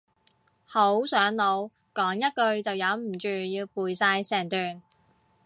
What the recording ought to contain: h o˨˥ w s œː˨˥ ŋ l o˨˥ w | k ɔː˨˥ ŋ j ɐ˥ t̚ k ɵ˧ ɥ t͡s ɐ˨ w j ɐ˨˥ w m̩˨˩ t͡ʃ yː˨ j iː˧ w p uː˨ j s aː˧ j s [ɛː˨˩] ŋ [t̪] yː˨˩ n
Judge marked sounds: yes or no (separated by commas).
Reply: yes, yes